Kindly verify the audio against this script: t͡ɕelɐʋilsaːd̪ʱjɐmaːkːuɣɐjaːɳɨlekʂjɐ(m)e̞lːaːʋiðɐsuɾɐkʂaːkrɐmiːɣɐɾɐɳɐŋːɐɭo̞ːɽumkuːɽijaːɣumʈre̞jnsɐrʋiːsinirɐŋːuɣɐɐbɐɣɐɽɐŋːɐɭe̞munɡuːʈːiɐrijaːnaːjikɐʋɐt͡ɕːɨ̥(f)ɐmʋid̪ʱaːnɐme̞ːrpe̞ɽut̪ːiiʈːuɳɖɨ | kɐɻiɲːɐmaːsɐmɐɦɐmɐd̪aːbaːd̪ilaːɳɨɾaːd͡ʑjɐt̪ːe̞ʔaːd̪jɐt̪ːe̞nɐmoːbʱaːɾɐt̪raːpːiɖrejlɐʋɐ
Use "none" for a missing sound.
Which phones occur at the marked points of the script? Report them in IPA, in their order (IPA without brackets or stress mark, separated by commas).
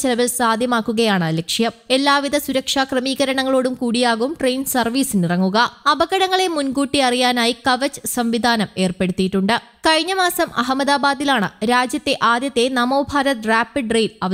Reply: m, s